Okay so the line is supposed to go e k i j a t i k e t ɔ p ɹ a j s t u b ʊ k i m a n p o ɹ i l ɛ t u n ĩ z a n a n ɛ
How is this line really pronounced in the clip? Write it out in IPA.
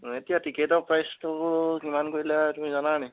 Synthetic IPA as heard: e t i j a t i k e t ɔ p ɹ a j s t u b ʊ k i m a n k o ɹ i l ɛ t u m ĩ z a n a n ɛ